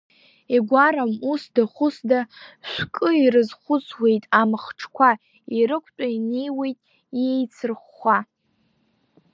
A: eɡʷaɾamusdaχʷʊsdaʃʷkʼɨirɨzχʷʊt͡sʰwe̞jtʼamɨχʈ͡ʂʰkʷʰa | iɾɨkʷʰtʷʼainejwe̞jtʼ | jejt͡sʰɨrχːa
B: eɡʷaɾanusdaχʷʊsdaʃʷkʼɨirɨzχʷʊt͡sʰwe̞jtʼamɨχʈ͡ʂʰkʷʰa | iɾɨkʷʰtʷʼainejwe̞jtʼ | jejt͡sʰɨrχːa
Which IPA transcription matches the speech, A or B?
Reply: A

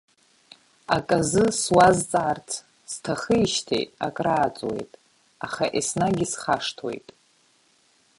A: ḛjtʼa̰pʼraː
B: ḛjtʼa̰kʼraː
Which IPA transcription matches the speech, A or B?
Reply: B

